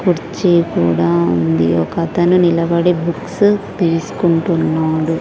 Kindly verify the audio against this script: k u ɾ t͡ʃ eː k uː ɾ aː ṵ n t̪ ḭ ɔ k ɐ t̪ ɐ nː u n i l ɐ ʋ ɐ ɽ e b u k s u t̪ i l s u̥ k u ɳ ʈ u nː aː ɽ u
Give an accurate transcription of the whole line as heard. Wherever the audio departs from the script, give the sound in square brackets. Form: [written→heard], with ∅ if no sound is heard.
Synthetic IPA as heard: k u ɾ t͡ʃ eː k uː [ɾ→ɽ] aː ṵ n [t̪→d̪] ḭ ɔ k ɐ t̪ ɐ [nː→n] u n i l ɐ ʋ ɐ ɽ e b u k s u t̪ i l s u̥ k u ɳ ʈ u nː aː ɽ u